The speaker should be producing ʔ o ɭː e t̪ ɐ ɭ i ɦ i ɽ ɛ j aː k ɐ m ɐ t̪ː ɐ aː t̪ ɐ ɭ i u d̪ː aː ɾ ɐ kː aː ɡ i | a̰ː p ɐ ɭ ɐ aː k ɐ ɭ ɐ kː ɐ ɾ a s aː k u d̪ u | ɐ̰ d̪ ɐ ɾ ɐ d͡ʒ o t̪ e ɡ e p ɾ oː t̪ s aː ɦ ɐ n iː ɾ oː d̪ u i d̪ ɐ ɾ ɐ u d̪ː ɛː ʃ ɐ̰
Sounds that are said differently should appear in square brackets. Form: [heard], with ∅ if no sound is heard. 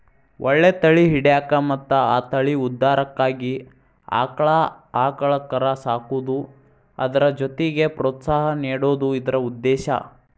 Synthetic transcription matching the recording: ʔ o ɭː e t̪ ɐ ɭ i ɦ i ɽ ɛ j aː k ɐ m ɐ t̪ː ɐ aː t̪ ɐ ɭ i u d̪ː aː ɾ ɐ kː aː ɡ i | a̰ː [k] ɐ ɭ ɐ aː k ɐ ɭ ɐ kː ɐ ɾ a s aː k u d̪ u | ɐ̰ d̪ ɐ ɾ ɐ d͡ʒ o t̪ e ɡ e p ɾ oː t̪ s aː ɦ ɐ n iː [ɽ] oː d̪ u i d̪ ɐ ɾ ɐ u d̪ː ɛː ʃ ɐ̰